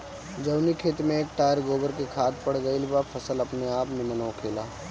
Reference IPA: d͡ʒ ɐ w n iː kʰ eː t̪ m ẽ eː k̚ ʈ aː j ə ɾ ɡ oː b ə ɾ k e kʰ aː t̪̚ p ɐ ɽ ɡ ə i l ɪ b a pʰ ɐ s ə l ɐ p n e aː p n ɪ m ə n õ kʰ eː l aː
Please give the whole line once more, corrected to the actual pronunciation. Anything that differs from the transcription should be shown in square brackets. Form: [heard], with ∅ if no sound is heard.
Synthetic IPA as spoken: d͡ʒ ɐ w n [i] kʰ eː t̪ m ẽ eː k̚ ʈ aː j ə ɾ ɡ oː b ə ɾ k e kʰ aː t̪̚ p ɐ ɽ ɡ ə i l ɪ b a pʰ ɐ s ə l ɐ p n e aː p n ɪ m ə n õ kʰ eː l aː